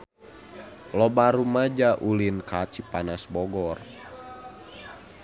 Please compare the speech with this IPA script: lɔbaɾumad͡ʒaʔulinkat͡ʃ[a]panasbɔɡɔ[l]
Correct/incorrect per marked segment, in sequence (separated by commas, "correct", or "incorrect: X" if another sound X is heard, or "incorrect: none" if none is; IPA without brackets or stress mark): incorrect: i, incorrect: r